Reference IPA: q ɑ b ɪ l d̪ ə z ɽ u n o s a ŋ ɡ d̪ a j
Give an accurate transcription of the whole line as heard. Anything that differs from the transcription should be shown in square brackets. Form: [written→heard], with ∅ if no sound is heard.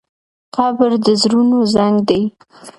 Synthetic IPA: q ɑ b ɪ [l→ɾ] d̪ ə z [ɽ→ɾ] u n o [s→z] a ŋ ɡ d̪ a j